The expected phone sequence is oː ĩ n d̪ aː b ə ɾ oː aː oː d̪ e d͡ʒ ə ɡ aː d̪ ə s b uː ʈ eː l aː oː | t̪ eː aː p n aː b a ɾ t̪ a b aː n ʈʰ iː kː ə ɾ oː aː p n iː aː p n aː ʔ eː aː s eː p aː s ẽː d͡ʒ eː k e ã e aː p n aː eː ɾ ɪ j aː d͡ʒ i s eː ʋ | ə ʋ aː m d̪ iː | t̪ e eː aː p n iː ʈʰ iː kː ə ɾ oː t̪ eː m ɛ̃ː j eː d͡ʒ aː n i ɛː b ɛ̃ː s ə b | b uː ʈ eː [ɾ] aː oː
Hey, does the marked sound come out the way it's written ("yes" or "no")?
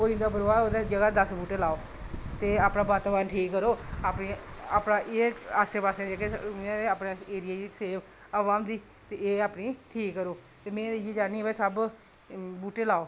no